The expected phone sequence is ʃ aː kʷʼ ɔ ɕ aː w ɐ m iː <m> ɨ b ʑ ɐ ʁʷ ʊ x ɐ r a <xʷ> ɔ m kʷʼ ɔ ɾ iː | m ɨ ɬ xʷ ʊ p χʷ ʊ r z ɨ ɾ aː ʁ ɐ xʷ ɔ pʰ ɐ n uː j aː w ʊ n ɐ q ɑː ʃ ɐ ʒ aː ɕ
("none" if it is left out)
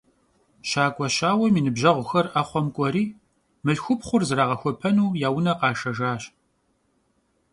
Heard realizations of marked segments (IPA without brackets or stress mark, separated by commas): n, χʷ